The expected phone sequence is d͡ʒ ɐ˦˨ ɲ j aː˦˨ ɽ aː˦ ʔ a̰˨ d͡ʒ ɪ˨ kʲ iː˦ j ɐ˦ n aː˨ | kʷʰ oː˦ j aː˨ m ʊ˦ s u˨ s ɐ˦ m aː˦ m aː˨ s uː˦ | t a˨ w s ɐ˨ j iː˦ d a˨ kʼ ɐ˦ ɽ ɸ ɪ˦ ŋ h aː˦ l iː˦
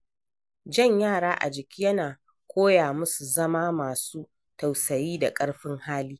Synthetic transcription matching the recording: d͡ʒ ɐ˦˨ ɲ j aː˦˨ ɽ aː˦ ʔ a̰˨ d͡ʒ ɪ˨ kʲ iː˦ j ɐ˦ n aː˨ | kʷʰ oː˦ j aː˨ m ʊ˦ s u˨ z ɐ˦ m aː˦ m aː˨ s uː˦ | t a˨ w s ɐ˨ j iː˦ d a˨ kʼ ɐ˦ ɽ ɸ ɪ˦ ŋ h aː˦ l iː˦